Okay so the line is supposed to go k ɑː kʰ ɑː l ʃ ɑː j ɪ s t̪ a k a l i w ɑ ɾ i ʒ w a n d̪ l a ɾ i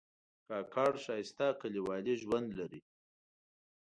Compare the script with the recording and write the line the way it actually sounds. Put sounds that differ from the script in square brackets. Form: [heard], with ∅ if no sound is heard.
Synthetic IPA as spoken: k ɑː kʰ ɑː [ɽ] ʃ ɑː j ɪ s t̪ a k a l i w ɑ [l] i ʒ w a n d̪ l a ɾ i

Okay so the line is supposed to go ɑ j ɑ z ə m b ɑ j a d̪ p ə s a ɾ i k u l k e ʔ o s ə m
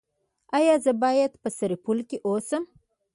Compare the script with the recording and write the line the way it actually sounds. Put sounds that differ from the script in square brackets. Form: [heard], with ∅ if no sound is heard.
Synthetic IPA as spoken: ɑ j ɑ z ə [∅] b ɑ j a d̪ p ə s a ɾ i [p] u l k e ʔ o s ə m

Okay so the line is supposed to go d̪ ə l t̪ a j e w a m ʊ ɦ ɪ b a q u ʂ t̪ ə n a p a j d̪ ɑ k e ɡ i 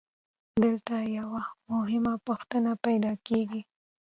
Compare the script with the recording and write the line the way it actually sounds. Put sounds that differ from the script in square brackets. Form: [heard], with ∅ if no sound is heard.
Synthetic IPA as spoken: d̪ ə l t̪ a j [a] w a m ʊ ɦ ɪ [m] a [p] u [x] t̪ ə n a p a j d̪ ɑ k e ɡ i

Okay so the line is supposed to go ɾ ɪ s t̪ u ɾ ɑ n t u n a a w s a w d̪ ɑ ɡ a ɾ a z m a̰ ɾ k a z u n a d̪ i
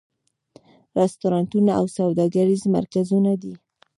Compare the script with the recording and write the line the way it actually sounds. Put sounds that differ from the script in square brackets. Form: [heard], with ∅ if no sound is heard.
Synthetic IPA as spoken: ɾ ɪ s t̪ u ɾ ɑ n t u n a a w s a w d̪ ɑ ɡ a ɾ [i] z m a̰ ɾ k a z u n a d̪ i

